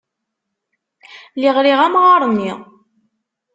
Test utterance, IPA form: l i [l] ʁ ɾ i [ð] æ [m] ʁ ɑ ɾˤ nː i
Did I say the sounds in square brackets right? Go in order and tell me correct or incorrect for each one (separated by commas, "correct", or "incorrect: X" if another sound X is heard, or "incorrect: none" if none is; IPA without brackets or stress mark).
incorrect: none, incorrect: ʁ, correct